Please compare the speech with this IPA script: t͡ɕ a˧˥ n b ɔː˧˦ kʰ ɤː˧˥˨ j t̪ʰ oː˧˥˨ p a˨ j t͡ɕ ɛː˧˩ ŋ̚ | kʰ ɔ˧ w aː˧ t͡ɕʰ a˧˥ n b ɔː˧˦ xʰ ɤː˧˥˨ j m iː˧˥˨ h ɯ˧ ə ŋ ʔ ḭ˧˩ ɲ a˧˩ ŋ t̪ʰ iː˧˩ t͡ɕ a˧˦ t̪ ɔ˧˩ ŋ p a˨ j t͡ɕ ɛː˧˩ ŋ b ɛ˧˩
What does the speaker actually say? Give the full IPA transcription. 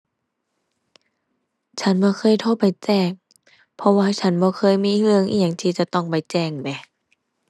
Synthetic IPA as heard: t͡ɕʰ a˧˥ n b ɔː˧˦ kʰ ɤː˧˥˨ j t̪ʰ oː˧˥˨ p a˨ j t͡ɕ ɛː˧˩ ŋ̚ | pʰ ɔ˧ w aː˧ t͡ɕʰ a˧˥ n b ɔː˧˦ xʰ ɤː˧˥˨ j m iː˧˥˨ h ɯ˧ ə ŋ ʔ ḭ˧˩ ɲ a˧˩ ŋ t̪ʰ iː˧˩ t͡ɕ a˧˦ t̪ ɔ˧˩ ŋ p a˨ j t͡ɕ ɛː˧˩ ŋ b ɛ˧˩

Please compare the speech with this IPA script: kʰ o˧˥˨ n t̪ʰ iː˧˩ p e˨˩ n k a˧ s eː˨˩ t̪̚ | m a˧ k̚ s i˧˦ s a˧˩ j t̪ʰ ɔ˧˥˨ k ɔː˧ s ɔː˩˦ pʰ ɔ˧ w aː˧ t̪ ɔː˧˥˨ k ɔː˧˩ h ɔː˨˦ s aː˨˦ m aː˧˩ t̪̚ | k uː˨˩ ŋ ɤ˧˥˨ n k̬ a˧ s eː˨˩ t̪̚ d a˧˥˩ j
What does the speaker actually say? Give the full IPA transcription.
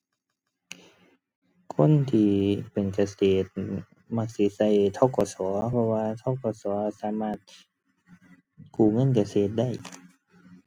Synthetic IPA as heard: kʰ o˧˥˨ n t̪ʰ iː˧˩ p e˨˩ n k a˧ s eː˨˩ t̪̚ | m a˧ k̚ s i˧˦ s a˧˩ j t̪ʰ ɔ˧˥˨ k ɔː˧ s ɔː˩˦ pʰ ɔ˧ w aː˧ t̪ʰ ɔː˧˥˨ k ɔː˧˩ s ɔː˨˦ s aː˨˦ m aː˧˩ t̪̚ | k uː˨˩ ŋ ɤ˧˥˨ n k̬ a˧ s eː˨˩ t̪̚ d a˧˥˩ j

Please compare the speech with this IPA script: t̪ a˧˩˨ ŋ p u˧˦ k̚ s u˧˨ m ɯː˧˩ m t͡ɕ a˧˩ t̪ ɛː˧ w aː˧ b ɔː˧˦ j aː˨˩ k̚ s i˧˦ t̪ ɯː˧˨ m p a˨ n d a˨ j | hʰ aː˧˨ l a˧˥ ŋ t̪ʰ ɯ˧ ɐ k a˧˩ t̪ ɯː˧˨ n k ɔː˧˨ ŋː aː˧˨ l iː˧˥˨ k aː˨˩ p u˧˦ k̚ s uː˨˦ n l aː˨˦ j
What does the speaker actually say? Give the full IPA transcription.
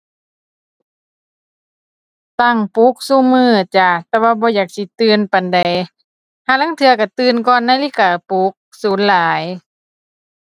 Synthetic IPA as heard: t̪ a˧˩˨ ŋ p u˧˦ k̚ s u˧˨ m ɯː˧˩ t͡ɕ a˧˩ t̪ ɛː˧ w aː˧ b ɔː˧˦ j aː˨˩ k̚ s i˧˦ t̪ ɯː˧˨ n p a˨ n d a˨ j | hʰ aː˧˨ l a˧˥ ŋ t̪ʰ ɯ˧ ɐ k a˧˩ t̪ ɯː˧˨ n k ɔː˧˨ nː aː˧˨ l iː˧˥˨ k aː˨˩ p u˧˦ k̚ s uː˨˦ n l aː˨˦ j

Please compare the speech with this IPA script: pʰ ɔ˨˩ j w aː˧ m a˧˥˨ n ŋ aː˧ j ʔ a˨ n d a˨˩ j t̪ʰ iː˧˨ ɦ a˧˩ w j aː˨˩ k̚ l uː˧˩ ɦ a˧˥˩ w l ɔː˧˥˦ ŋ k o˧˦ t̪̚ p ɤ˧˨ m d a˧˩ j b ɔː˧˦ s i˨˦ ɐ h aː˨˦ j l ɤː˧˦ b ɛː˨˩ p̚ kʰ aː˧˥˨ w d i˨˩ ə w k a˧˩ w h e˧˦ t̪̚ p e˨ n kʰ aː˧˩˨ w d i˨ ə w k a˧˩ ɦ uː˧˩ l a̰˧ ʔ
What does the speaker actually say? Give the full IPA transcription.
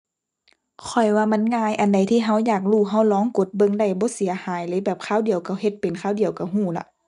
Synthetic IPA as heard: kʰ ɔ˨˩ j w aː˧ m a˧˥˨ n ŋ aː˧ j ʔ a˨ n d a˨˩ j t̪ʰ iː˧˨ ɦ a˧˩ w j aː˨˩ k̚ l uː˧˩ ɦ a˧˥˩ w l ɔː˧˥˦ ŋ k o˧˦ t̪̚ b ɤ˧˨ ŋ d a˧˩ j b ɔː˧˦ s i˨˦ ɐ h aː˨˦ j l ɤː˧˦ b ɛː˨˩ p̚ kʰ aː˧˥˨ w d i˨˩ ə w k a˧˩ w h e˧˦ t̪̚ p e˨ n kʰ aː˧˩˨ w d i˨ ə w k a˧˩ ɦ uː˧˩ l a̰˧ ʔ

